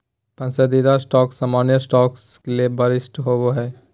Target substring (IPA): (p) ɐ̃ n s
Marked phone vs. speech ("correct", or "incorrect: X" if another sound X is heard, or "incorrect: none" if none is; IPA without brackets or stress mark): correct